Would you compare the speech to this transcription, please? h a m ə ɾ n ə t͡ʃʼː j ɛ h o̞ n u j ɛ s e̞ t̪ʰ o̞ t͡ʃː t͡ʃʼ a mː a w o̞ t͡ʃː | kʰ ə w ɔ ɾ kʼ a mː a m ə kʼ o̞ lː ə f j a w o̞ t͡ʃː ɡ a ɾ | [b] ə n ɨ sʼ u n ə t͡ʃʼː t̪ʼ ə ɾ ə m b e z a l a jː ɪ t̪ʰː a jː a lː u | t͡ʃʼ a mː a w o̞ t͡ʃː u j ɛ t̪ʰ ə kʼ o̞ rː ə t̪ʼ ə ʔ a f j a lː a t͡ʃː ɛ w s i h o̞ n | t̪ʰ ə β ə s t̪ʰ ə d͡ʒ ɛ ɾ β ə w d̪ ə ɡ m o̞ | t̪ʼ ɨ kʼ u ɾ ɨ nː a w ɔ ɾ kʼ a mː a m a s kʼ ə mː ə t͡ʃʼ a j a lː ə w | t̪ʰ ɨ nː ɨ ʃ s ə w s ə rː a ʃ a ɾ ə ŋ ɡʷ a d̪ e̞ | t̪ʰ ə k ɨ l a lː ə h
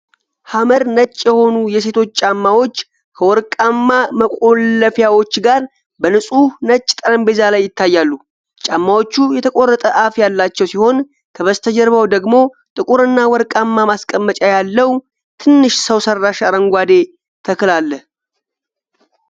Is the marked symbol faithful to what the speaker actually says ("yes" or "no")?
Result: yes